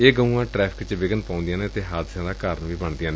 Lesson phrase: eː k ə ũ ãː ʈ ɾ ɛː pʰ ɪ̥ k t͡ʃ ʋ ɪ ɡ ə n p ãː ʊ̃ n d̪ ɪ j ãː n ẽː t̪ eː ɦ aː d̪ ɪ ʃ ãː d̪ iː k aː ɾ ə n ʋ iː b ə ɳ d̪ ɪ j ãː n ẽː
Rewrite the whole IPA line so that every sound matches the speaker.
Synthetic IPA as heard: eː ɡ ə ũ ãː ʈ ɾ ɛː pʰ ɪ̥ k t͡ʃ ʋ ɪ ɡ ə n p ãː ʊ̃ n d̪ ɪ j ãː n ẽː t̪ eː ɦ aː d̪ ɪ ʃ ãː d̪ aː k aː ɾ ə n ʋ iː b ə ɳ d̪ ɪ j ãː n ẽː

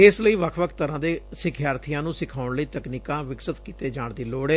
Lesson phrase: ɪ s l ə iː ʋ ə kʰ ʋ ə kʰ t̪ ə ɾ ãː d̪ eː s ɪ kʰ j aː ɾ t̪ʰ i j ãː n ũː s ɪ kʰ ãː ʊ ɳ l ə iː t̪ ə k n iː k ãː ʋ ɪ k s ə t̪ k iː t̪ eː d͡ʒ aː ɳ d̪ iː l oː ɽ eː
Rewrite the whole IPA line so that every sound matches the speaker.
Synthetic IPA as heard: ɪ s l ə iː ʋ ə kʰ ʋ ə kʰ t̪ ə ɾ ãː d̪ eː s ɪ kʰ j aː ɾ t̪ʰ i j ãː n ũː s ɪ kʰ aː ʊ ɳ l ə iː t̪ ə k n iː k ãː ʋ ɪ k s ə t̪ k iː t̪ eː d͡ʒ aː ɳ d̪ iː l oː ɽ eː

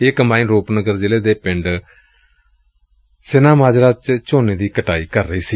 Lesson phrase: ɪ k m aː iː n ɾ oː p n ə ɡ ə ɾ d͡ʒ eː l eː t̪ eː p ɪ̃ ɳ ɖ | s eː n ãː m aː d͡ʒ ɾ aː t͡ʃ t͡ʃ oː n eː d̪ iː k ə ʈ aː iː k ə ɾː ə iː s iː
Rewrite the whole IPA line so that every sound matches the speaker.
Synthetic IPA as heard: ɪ k m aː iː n ɾ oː p n ə ɡ ə ɾ d͡ʒ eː l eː d̪ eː p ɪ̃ ɳ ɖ | s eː n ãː m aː d͡ʒ ɾ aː t͡ʃ t͡ʃ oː n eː d̪ iː k ə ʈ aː iː k ə ɾː ə iː s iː

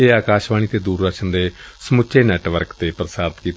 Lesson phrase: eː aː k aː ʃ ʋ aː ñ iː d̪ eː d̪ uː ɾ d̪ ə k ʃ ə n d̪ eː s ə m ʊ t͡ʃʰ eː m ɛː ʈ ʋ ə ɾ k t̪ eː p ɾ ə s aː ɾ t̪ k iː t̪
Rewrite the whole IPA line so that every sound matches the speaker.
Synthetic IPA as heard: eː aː k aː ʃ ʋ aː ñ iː t̪ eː d̪ uː ɾ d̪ ə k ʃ ə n d̪ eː s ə m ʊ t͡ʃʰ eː n ɛː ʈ ʋ ə ɾ k t̪ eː p ɾ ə s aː ɾ t̪ k iː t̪

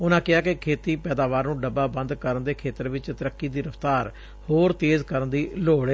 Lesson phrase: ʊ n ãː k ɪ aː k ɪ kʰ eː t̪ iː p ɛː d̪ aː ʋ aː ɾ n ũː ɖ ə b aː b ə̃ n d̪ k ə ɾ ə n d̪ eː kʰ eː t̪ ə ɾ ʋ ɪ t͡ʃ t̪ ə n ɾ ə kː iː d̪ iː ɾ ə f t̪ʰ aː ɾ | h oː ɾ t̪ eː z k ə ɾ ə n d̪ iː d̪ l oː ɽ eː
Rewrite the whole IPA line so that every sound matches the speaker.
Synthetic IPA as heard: ʊ n ãː k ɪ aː k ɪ kʰ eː t̪ iː p ɛː d̪ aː ʋ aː ɾ n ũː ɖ ə b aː b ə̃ n d̪ k ə ɾ ə n d̪ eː kʰ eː t̪ ə ɾ ʋ ɪ t͡ʃ t̪ ə ɾ ə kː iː d̪ iː ɾ ə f t̪ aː ɾ | h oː ɾ t̪ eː z k ə ɾ ə n d̪ iː l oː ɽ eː

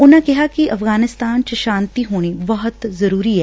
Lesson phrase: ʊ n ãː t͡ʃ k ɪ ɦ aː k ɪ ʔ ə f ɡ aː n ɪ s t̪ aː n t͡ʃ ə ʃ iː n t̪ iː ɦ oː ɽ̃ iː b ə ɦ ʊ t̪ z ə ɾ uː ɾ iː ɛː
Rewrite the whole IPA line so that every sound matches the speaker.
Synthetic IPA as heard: ʊ n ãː k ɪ ɦ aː k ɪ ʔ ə f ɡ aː n ɪ s t̪ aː n t͡ʃ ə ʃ aː n t̪ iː ɦ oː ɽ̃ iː b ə ɦ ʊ t̪ z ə ɾ uː ɾ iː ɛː

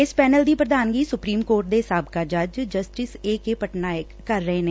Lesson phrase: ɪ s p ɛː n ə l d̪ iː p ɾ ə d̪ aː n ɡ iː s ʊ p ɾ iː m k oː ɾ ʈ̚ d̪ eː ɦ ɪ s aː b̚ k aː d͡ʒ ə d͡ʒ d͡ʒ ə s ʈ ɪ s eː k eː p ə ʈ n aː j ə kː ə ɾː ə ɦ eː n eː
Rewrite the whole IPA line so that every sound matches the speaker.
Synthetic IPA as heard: ɪ s p ɛː n ə l d̪ iː p ɾ ə d̪ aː n ɡ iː s ʊ p ɾ iː m k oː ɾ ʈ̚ d̪ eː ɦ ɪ s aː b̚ k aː d͡ʒ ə d͡ʒ d͡ʒ ə s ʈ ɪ s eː k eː p ə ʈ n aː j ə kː ə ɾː ə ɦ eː n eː

